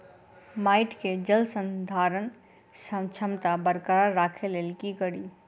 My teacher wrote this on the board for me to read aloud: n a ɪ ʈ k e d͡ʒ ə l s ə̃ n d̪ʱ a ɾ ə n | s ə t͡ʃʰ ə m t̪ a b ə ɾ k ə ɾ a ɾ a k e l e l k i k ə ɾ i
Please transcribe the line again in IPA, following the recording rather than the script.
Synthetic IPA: m a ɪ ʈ k e d͡ʒ ə l s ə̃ n d̪ʱ a ɾ ə n | s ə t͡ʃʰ ə m t̪ a b ə ɾ k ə ɾ a ɾ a kʰ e l e l k i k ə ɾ i